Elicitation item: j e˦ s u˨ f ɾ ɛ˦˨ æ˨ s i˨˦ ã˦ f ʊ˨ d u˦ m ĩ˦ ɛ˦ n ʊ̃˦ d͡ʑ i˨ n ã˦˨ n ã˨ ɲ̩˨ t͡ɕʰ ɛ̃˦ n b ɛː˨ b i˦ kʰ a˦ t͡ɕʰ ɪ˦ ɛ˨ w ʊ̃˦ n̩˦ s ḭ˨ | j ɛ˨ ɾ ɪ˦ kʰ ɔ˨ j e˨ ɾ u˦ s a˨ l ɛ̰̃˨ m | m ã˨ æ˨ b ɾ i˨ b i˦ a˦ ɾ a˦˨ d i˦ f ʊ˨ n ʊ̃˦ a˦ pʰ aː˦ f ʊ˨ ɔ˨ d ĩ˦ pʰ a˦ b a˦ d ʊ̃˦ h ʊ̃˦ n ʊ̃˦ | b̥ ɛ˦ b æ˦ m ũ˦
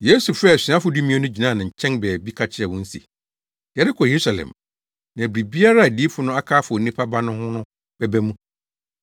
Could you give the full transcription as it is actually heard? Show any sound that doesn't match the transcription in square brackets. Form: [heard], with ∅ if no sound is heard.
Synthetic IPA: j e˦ s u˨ f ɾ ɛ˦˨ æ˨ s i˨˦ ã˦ f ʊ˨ d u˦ m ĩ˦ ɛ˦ n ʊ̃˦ d͡ʑ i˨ n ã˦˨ n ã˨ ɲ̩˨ t͡ɕʰ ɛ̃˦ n b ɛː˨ b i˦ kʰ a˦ t͡ɕʰ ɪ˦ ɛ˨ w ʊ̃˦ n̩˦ s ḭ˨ | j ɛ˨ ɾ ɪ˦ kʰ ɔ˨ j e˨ ɾ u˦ s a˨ l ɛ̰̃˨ m | [n] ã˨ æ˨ b ɾ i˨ b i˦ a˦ ɾ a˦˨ d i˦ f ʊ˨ n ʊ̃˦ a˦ [kʰ] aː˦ f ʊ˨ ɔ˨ [n] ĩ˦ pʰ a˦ b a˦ [n] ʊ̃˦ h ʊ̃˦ n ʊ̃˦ | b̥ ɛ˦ b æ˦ m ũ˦